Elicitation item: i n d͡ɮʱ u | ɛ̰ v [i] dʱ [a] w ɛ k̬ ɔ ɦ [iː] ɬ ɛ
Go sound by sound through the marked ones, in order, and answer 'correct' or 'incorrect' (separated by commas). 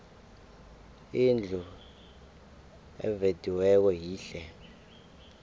incorrect, incorrect, correct